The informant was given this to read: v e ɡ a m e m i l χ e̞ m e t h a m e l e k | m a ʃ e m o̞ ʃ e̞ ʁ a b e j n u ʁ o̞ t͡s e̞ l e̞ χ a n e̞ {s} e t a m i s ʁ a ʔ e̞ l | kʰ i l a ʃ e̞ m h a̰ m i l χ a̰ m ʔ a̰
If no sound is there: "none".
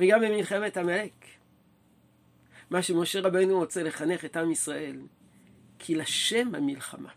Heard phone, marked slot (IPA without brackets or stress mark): χ